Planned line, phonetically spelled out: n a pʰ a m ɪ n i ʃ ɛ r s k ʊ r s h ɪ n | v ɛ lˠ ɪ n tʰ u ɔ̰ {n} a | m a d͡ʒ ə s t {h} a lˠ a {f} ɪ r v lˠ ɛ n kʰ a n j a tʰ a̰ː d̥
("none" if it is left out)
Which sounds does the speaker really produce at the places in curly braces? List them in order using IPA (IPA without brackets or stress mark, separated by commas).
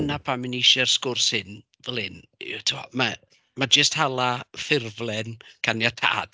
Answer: m, h, f